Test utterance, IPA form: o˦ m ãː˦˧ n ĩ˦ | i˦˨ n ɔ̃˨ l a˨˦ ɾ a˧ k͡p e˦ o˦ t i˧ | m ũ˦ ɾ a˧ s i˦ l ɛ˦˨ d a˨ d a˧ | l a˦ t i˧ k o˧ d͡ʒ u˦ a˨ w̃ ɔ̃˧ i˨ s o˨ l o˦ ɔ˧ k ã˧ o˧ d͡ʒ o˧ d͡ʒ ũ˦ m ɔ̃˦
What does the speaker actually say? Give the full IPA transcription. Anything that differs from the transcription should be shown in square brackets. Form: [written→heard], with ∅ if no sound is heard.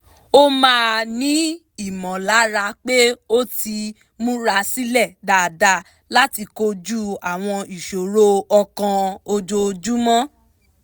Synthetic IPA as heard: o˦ m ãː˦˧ n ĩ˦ | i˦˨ [n→m] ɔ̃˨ l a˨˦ ɾ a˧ k͡p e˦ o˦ t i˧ | m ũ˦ ɾ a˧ s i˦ l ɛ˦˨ d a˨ d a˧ | l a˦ t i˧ k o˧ d͡ʒ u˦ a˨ w̃ ɔ̃˧ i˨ [s→ʃ] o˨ [l→ɾ] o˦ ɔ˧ k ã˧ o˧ d͡ʒ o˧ d͡ʒ [ũ˦→u˦] m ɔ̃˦